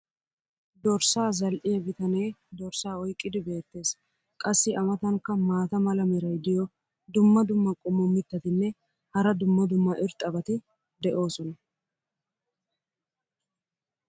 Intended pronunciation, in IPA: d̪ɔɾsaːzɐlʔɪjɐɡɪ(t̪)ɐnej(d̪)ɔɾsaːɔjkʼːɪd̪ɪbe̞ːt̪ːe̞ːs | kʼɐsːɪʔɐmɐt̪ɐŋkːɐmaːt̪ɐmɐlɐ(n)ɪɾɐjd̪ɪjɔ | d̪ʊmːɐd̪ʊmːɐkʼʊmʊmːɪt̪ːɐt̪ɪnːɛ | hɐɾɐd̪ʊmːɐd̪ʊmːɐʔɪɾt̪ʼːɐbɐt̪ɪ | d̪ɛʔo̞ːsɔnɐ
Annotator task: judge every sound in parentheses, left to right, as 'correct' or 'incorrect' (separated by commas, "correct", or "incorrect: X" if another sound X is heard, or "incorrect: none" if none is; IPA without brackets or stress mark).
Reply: correct, correct, incorrect: m